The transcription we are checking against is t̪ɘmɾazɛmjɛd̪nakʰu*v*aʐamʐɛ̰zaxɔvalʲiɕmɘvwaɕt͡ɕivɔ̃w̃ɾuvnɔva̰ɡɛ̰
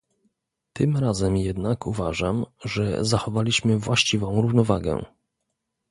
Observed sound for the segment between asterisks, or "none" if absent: v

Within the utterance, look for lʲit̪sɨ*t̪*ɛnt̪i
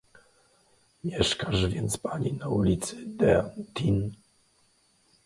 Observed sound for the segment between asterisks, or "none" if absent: d̪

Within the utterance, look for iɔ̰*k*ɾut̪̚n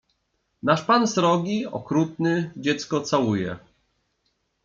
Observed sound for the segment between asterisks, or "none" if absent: k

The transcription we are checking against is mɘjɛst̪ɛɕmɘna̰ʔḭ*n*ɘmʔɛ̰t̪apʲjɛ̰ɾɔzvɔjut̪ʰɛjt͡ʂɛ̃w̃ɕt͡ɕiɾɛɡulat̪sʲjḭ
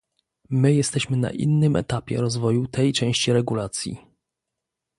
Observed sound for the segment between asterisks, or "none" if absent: nː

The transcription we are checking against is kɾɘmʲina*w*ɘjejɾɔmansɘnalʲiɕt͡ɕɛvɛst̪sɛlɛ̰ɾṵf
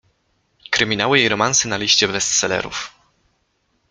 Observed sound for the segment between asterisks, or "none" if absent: w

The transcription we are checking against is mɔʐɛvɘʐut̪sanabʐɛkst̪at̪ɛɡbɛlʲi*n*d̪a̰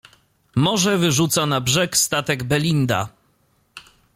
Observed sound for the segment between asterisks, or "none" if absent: n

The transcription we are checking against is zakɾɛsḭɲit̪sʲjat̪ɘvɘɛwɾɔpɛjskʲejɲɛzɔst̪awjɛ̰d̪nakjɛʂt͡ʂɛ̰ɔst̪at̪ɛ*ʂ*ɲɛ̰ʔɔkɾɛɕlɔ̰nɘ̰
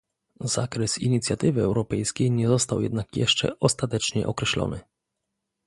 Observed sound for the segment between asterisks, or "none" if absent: t͡ʂ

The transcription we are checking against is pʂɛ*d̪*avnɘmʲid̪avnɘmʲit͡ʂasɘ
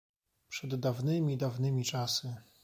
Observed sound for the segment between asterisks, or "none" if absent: d̪ː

